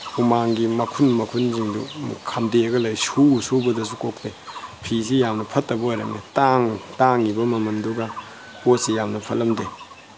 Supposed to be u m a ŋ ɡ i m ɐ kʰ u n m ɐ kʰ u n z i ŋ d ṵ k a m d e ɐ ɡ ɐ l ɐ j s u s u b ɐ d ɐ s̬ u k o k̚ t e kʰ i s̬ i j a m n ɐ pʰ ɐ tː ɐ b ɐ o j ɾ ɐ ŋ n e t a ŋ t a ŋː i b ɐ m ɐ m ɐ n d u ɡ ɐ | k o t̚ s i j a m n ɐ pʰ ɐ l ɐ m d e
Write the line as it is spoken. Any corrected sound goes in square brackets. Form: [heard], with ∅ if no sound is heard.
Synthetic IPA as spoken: u m a ŋ ɡ i m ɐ kʰ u n m ɐ kʰ u n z i ŋ d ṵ [kʰ] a m d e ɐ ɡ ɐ l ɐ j s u s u b ɐ d ɐ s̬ u k o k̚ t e [pʰ] i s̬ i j a m n ɐ pʰ ɐ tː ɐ b ɐ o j ɾ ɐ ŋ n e t a ŋ t a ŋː i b ɐ m ɐ m ɐ n d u ɡ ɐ | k o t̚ s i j a m n ɐ pʰ ɐ l ɐ m d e